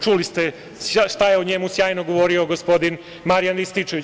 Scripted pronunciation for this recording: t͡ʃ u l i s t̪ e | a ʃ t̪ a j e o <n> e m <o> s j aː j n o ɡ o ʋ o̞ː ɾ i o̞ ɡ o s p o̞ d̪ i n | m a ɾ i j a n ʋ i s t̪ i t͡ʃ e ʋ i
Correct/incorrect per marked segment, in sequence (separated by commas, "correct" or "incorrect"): incorrect, incorrect